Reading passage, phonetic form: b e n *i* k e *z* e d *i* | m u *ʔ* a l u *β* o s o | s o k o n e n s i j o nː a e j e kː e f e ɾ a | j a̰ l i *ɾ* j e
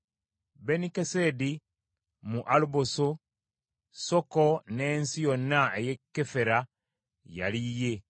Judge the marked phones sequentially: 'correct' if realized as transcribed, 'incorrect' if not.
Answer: correct, incorrect: s, correct, correct, incorrect: b, incorrect: none

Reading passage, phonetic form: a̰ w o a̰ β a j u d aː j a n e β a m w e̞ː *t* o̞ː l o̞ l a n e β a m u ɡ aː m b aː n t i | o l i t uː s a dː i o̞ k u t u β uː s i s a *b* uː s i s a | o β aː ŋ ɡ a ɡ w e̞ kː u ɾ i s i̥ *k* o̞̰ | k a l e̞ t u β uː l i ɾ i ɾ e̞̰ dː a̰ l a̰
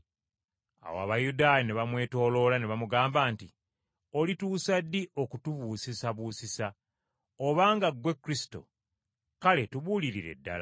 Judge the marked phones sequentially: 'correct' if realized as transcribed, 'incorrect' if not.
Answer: correct, incorrect: β, incorrect: t

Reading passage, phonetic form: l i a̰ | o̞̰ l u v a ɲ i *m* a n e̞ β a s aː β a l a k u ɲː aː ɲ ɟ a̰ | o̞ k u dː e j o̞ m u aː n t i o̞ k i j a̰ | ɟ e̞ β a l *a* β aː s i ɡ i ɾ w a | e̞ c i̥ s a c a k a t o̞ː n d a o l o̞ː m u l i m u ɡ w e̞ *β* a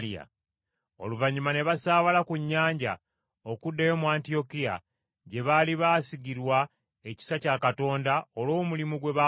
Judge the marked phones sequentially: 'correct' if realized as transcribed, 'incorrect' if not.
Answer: correct, incorrect: i, correct

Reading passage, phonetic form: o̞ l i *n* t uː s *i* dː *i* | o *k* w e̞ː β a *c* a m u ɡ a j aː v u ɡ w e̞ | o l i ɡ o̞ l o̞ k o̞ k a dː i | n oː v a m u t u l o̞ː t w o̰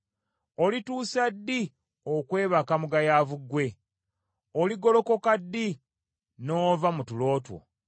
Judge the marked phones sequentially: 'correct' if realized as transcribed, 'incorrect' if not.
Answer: incorrect: none, incorrect: a, correct, correct, incorrect: k

